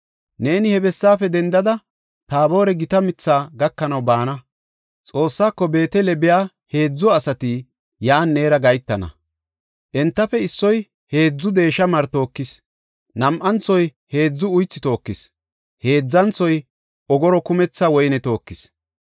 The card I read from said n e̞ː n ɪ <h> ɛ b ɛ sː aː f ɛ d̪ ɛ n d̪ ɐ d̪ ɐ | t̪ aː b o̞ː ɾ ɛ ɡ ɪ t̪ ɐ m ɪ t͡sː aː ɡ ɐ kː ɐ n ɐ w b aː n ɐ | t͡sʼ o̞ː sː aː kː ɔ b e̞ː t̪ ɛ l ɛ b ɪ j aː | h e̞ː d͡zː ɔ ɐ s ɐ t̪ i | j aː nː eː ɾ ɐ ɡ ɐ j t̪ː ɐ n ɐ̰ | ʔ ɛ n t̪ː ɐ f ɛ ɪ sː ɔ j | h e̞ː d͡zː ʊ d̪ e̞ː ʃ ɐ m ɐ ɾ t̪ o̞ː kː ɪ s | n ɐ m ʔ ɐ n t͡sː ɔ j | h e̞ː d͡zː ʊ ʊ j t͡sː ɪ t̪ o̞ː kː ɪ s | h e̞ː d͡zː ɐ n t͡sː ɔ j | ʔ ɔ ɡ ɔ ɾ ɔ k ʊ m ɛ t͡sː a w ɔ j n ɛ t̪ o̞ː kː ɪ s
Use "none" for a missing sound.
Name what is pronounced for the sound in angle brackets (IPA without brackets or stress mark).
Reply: h